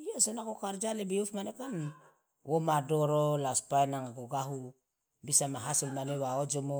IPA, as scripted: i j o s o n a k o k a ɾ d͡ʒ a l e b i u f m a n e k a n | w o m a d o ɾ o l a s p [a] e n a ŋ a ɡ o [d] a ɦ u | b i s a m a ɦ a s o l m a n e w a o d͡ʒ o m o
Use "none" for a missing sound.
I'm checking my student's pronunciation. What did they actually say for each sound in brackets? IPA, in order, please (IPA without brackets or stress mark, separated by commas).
a, ɡ